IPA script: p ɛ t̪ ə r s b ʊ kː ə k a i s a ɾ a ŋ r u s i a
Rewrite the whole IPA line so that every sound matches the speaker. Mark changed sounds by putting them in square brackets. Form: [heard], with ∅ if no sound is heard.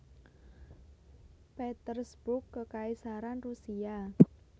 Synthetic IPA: p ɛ t̪ ə r s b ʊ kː ə k a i s a ɾ a [n] r u s i a